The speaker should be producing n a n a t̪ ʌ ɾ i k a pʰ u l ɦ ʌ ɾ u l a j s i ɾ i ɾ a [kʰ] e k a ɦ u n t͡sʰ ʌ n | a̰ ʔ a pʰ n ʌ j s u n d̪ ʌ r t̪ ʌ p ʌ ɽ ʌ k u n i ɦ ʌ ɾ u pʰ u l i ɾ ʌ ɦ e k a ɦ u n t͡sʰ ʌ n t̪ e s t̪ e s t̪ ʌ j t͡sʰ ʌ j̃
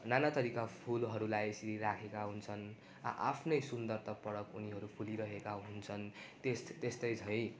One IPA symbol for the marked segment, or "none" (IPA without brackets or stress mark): kʰ